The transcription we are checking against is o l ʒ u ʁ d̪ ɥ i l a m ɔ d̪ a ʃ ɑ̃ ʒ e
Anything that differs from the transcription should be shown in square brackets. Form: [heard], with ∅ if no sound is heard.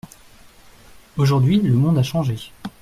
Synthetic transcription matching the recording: o [∅] ʒ u ʁ d̪ ɥ i l [ə] m [ɔ̃] d̪ a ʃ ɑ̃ ʒ e